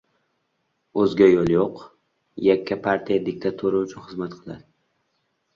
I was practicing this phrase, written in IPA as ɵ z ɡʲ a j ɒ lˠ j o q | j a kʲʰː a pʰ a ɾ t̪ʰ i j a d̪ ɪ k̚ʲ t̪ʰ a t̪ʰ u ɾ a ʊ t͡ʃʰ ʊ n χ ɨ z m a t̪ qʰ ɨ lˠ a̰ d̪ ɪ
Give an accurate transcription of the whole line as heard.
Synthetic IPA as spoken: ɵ z ɡʲ a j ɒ lˠ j o q | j a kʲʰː a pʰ a ɾ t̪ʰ i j a d̪ ɪ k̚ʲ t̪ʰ a t̪ʰ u ɾ a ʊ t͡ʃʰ ʊ n χ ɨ z m a t̪ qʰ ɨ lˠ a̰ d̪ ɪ

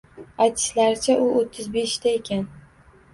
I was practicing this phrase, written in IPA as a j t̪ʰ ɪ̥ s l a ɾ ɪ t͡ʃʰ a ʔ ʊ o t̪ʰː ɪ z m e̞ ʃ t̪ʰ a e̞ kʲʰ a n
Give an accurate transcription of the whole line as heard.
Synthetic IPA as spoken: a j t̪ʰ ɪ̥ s l a ɾ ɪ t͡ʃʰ a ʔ ʊ o t̪ʰː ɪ z b e̞ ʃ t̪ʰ a e̞ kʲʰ a n

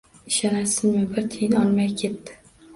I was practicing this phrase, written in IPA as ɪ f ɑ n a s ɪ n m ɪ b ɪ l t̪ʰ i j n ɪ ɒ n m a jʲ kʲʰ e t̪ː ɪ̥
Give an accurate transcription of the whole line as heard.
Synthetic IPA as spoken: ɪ ʃ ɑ n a s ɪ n m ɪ b ɪ ɾ t̪ʰ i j n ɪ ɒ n m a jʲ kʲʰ e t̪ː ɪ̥

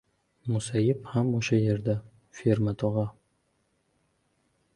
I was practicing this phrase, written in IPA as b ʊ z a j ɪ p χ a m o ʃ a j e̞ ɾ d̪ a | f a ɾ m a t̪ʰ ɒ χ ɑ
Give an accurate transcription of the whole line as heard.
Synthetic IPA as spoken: m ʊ s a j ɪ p h a m o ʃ a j e̞ ɾ d̪ a | f e ɾ m a t̪ʰ ɒ ʁ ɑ

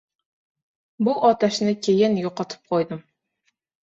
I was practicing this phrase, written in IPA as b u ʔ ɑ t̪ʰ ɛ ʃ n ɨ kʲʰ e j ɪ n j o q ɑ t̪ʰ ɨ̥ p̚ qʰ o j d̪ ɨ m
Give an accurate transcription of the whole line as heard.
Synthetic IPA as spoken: b u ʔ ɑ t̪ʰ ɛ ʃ n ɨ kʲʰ e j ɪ n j o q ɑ t̪ʰ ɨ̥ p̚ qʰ o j d̪ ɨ m

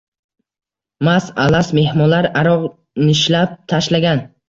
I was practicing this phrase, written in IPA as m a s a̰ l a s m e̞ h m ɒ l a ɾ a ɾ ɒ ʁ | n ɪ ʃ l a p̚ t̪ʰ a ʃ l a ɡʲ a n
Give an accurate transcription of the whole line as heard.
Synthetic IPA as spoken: m a s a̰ l a s m e̞ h m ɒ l a ɾ a ɾ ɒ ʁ | n ɪ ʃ l a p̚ t̪ʰ a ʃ l a ɡʲ a n

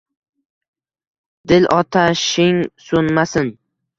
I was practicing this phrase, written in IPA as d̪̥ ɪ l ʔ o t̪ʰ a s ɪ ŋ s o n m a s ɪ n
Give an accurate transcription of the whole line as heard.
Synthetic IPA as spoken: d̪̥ ɪ l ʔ ɒ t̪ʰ a ʃ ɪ ŋ s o n m a s ɪ n

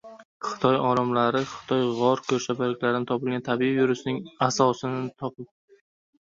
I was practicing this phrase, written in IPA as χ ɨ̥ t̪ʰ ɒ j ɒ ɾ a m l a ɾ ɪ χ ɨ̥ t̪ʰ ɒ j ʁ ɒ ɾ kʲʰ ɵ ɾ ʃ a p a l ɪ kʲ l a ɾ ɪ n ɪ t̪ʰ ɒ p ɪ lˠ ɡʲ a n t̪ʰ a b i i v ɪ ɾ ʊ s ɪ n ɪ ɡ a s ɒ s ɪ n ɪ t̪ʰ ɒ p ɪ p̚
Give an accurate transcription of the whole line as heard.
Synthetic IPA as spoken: χ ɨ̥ t̪ʰ ɒ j ɒ ɾ a m l a ɾ ɪ χ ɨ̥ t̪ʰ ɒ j ʁ ɒ ɾ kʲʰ ɵ ɾ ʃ a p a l ɪ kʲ l a ɾ ɪ n ɪ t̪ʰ ɒ p ɪ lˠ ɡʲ a n t̪ʰ a b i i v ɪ ɾ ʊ s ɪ n ɪ ŋ a s ɒ s ɪ n ɪ t̪ʰ ɒ p ɪ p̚

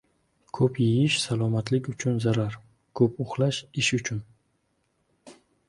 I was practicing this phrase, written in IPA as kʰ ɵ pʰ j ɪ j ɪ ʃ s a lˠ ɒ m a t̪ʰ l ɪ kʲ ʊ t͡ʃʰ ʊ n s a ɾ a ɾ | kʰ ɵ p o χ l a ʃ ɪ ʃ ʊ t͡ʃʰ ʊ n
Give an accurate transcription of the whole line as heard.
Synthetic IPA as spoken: kʰ ɵ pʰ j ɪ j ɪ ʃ s a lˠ ɒ m a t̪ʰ l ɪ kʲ ʊ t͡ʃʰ ʊ n z a ɾ a ɾ | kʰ ɵ p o χ l a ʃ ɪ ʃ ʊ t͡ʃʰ ʊ n

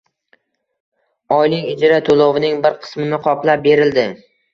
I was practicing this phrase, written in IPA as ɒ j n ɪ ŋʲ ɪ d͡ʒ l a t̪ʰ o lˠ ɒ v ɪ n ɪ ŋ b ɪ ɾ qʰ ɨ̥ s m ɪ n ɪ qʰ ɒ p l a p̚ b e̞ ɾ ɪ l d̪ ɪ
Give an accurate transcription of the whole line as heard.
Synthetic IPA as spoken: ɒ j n ɪ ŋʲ ɪ d͡ʒ ɾ a t̪ʰ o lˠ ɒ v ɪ n ɪ ŋ b ɪ ɾ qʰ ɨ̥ s m ɪ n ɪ qʰ ɒ p l a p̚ b e̞ ɾ ɪ l d̪ ɪ

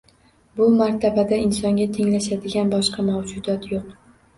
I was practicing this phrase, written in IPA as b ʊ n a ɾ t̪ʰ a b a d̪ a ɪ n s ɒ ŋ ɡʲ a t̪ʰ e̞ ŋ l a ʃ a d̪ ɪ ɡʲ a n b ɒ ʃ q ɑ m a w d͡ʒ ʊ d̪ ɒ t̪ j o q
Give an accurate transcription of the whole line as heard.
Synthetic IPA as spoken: b ʊ m a ɾ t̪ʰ a b a d̪ a ɪ n s ɒ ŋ ɡʲ a t̪ʰ e̞ ŋ l a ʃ a d̪ ɪ ɡʲ a n b ɒ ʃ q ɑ m a w d͡ʒ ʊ d̪ ɒ t̪ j o q

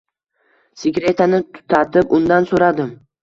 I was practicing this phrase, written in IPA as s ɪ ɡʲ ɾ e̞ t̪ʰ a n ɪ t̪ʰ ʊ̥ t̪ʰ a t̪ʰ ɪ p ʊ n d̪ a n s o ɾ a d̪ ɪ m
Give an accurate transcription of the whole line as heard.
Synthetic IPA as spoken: s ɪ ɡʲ ɾ e̞ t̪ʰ a n ɪ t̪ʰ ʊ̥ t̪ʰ a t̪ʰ ɪ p ʊ n d̪ a n s o ɾ a d̪ ɪ m

